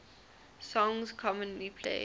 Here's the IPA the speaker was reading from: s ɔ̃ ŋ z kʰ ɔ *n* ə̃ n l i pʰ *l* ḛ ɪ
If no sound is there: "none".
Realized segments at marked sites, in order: m, l

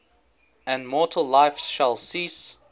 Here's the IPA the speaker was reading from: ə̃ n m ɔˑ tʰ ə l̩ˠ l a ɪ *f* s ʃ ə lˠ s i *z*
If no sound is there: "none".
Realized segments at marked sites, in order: f, s

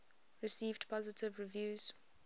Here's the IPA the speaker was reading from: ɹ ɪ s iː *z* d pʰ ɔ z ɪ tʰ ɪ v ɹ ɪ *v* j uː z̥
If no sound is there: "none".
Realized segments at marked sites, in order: v, v

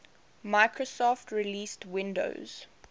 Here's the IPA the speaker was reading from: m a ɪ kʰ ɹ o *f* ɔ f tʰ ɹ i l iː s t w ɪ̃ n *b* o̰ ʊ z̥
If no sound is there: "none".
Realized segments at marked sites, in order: s, d

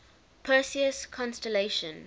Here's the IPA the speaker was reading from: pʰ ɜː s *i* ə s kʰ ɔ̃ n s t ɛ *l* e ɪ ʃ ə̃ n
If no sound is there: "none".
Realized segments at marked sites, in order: i, l

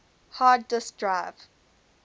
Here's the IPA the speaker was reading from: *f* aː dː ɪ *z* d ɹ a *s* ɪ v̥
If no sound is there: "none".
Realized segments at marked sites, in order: h, s, none

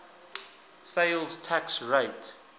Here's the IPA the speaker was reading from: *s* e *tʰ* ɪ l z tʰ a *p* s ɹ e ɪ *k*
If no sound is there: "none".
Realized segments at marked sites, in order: s, none, k, t

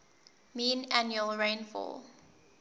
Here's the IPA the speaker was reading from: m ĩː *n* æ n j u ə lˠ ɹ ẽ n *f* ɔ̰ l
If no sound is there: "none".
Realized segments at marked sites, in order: n, f

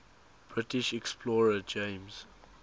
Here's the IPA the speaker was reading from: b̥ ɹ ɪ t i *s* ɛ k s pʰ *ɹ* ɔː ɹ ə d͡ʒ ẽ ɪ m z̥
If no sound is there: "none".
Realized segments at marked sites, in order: ʃ, l

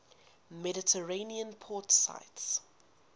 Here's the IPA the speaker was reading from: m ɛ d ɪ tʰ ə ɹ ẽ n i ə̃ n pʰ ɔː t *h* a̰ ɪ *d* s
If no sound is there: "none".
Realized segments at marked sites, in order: s, t

